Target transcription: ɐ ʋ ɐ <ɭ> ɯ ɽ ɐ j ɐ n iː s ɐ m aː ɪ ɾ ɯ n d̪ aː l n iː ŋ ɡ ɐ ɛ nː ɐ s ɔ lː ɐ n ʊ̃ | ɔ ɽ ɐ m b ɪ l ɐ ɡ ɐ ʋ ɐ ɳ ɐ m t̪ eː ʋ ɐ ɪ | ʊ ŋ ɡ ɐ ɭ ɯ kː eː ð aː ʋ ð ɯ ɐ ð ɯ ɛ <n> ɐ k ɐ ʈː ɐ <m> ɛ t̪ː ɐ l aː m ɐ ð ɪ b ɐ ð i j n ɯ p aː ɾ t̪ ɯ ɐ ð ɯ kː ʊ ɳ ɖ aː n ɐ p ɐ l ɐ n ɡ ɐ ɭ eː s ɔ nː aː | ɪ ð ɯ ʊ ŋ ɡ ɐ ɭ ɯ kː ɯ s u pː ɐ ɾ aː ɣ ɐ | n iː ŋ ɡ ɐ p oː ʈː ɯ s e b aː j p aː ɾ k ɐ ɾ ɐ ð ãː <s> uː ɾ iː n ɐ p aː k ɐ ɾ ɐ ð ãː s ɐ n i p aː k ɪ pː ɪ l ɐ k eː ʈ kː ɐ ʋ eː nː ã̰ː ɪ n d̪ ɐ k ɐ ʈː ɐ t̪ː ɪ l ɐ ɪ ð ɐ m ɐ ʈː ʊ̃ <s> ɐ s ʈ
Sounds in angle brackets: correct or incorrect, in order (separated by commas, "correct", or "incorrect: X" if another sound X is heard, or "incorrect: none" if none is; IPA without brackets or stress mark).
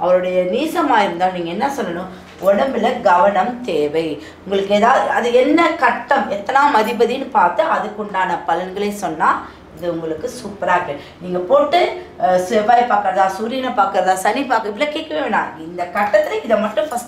incorrect: ɾ, incorrect: nː, correct, correct, incorrect: f